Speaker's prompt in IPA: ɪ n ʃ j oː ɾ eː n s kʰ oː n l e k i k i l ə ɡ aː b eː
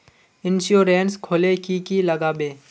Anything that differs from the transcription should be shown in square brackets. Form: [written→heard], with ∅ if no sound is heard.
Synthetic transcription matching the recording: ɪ n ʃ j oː ɾ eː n s kʰ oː [n→∅] l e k i k i l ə ɡ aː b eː